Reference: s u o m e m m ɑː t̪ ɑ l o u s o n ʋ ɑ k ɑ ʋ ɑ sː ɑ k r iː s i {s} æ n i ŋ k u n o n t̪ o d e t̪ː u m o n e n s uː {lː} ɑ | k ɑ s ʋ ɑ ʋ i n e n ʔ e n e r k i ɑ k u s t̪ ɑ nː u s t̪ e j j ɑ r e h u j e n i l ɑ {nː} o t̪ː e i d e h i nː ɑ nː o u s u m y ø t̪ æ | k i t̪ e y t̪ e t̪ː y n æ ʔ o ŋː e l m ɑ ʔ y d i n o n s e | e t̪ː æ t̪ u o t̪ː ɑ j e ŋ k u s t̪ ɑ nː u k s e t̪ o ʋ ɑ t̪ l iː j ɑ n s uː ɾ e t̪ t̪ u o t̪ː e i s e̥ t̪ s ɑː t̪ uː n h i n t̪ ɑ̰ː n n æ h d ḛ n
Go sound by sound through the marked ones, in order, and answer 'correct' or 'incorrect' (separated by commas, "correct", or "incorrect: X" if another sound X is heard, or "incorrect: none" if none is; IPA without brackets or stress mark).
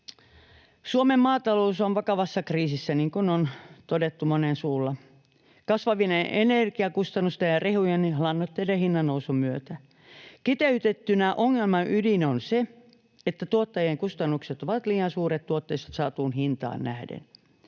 incorrect: sː, correct, correct